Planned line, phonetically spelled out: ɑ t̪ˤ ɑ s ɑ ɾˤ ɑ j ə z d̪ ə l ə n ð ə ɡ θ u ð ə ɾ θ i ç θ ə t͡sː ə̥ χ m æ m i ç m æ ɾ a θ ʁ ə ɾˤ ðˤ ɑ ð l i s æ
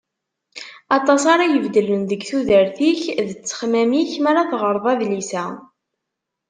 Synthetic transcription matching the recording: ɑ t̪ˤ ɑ s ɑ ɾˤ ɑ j ə v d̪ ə l ə n ð ə ɡ θ u ð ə ɾ θ i ç ð ə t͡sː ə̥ χ m æ m i ç m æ ɾ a θ ʁ ə ɾˤ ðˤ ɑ ð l i s æ